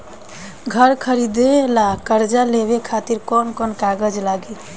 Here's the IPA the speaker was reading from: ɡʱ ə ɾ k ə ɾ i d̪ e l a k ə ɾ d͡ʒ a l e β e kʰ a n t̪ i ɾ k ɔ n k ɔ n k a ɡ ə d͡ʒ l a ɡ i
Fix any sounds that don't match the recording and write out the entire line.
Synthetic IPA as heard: ɡʱ ə ɾ kʰ ə ɾ i d̪ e l a k ə ɾ d͡ʒ a l e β e kʰ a t̪ i ɾ k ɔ n k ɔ n k a ɡ ə d͡ʒ l a ɡ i